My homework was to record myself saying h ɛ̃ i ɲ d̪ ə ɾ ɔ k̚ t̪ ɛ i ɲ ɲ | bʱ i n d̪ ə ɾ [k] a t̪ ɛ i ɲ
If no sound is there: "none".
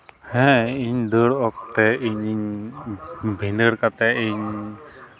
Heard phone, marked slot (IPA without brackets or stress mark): k